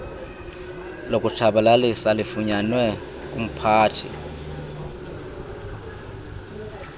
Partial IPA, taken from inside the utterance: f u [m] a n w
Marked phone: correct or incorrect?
incorrect